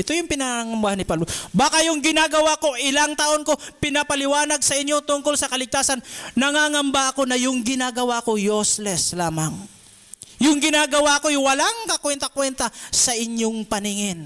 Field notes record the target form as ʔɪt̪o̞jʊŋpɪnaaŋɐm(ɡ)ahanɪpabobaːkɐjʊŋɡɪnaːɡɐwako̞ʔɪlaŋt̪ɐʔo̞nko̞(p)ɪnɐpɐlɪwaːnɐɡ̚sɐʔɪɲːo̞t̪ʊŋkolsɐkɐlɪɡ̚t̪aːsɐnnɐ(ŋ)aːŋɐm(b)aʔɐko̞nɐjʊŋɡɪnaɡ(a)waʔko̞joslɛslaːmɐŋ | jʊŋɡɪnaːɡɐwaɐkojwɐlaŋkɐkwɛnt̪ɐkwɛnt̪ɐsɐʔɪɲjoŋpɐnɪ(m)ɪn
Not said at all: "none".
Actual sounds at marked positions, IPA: b, p, ŋ, b, ɐ, ŋ

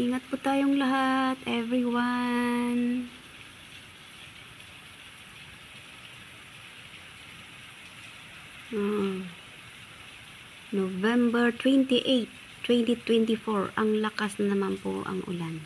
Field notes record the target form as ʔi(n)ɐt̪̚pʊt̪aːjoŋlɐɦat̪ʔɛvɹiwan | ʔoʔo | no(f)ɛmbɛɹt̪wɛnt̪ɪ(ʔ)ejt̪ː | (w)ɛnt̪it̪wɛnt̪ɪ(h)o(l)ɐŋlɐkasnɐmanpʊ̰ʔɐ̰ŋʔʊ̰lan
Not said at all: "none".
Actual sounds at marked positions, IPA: ŋ, v, ʔ, w, f, ɹ

